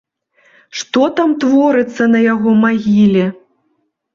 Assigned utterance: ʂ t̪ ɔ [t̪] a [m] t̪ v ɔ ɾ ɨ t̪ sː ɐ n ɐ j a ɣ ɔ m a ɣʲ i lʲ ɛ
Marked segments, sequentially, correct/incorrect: correct, correct

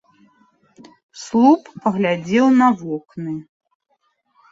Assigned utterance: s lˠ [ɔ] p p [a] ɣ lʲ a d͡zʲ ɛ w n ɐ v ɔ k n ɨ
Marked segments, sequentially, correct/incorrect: incorrect, incorrect

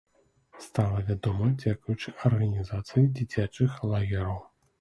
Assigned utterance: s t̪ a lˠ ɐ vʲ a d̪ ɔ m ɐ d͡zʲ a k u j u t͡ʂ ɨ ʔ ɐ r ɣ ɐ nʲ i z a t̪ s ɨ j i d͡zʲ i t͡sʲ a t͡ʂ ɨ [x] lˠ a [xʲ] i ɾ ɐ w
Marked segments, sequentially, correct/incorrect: correct, incorrect

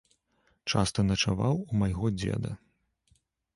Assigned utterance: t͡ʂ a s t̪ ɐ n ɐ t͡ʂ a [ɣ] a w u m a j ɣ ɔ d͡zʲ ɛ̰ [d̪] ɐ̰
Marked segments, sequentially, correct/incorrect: incorrect, correct

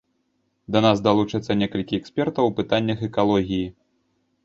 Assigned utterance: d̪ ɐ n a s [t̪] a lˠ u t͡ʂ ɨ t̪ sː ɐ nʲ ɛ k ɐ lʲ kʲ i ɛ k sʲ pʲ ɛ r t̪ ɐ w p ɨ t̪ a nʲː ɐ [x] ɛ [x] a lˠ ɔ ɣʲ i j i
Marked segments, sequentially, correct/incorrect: incorrect, correct, incorrect

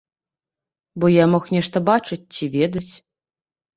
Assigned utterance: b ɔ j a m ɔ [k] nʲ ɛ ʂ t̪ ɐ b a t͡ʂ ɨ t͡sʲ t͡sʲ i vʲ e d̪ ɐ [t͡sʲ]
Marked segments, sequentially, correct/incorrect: incorrect, correct

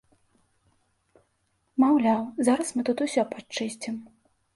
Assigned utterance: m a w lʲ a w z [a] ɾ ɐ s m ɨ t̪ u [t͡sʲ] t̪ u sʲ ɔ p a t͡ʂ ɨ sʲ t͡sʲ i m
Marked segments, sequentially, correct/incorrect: correct, incorrect

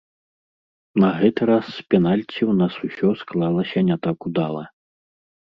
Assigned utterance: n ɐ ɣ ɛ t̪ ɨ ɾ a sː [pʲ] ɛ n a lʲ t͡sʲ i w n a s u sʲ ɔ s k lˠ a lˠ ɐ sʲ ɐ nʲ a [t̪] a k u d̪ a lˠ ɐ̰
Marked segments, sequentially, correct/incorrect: correct, correct

